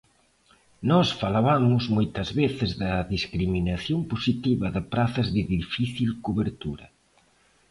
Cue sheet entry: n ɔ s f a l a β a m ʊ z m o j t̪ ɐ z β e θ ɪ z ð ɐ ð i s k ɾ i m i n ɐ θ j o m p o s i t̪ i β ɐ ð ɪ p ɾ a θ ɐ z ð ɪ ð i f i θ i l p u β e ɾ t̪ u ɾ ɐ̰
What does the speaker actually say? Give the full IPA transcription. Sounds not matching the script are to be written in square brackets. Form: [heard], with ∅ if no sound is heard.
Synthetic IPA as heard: n ɔ s f a l a β a m ʊ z m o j t̪ ɐ z β e θ ɪ z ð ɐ ð i s k ɾ i m i n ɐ θ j o m p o s i t̪ i β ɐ ð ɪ p ɾ a θ ɐ z ð ɪ ð i f i θ i l [k] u β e ɾ t̪ u ɾ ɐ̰